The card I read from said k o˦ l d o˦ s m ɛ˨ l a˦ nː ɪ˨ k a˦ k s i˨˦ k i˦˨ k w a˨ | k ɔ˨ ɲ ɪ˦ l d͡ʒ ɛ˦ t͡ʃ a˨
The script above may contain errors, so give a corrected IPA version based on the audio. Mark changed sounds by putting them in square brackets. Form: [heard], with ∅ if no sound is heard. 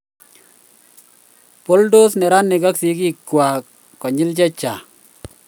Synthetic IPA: [p] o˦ l d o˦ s [n] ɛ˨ [ɾ] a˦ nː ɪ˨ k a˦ k s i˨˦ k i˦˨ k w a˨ | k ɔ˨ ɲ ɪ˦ l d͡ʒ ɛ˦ t͡ʃ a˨